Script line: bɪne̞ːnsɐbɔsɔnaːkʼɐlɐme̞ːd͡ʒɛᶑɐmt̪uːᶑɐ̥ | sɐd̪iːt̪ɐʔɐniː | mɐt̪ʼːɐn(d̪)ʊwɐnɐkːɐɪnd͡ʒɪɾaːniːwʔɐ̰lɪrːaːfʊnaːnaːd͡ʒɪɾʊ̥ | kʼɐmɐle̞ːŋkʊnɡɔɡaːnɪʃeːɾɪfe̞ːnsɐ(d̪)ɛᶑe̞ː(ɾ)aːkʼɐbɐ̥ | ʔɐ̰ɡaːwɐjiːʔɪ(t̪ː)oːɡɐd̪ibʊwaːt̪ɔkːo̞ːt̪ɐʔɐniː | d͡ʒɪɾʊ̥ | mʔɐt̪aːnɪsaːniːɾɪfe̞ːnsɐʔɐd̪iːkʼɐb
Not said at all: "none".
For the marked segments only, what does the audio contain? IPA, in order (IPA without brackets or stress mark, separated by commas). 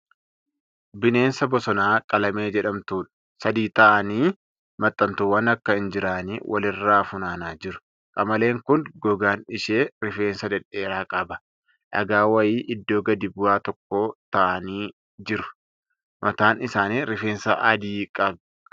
t̪, d̪, ɾ, d̪ː